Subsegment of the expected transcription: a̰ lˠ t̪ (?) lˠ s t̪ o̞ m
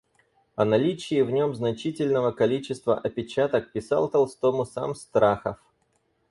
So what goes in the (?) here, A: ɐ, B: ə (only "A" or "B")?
A